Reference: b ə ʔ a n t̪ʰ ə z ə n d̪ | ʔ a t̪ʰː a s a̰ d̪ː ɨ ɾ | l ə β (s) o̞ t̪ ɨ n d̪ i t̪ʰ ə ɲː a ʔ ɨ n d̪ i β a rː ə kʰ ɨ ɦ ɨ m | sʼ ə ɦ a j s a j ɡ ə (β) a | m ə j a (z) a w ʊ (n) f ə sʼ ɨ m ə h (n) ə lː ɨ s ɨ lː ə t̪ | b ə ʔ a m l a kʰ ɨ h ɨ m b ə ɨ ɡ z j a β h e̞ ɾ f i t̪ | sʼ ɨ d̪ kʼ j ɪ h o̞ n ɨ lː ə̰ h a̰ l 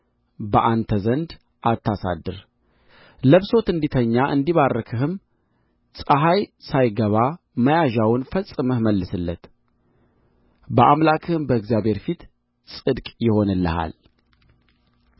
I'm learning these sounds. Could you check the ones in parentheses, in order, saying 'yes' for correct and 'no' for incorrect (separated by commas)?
yes, yes, no, yes, no